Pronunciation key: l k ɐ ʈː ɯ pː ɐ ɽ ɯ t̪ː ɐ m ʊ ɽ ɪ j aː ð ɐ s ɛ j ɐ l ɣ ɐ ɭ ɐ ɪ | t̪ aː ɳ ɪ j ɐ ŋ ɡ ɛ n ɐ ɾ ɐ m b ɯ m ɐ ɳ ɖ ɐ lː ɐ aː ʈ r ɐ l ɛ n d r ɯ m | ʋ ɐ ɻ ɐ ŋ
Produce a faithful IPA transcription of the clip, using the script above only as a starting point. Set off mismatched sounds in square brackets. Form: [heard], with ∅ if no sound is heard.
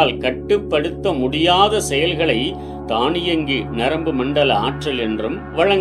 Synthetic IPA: l k ɐ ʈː ɯ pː ɐ ɽ ɯ t̪ː ɐ m ʊ ɽ ɪ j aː ð ɐ s ɛ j ɐ l ɣ ɐ ɭ ɐ ɪ | t̪ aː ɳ ɪ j ɐ ŋ ɡ [i] n ɐ ɾ ɐ m b ɯ m ɐ ɳ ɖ ɐ [l] ɐ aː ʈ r ɐ l ɛ n d r ɯ m | ʋ ɐ ɻ ɐ ŋ